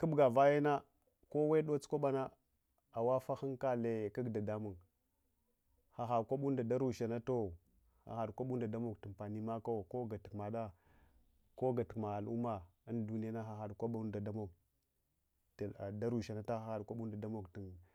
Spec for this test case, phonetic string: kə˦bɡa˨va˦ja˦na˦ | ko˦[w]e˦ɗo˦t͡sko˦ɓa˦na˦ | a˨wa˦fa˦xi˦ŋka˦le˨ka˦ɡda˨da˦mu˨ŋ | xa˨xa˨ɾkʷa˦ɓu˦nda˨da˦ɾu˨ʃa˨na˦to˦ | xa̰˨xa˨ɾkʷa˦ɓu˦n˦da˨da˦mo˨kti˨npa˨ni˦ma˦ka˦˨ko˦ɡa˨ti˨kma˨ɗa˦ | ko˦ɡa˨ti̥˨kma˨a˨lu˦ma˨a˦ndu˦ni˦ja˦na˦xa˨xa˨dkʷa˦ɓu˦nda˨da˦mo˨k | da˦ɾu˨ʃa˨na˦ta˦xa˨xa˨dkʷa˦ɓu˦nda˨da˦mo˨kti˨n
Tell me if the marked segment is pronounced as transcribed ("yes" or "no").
yes